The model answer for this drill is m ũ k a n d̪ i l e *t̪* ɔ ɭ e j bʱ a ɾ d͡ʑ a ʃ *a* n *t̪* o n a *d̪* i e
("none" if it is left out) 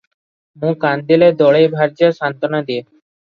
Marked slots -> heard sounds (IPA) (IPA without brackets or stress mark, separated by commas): d̪, a, t̪, d̪